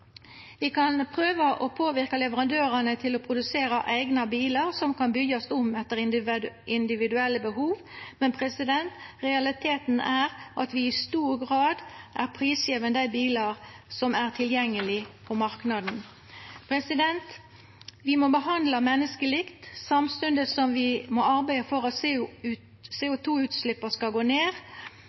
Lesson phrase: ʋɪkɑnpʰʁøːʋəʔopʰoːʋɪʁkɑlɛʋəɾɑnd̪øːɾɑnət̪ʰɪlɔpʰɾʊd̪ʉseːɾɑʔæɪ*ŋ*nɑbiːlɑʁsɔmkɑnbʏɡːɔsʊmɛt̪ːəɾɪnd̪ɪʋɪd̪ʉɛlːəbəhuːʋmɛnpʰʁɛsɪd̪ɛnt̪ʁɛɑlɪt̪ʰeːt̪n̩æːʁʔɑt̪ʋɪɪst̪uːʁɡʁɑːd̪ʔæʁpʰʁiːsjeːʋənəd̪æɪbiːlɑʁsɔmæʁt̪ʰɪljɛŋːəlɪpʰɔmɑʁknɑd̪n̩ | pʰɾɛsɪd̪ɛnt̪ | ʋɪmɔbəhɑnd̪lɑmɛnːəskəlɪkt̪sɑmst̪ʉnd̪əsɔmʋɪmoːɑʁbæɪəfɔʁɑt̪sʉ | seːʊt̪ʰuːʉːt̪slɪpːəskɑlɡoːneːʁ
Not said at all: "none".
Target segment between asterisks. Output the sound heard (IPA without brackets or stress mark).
ɡ